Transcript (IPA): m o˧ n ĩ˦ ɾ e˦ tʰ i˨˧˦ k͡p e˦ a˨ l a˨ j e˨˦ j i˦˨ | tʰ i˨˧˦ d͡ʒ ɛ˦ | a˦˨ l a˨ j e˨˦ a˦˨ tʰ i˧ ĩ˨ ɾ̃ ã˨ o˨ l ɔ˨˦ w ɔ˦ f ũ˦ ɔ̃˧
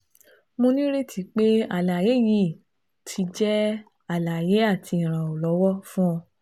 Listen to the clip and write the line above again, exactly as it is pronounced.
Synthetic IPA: m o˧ n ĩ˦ ɾ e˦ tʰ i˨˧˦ k͡p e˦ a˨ l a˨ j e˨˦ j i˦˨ | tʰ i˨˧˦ d͡ʒ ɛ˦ | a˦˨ l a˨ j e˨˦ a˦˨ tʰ i˧ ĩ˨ ɾ̃ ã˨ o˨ l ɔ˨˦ w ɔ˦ f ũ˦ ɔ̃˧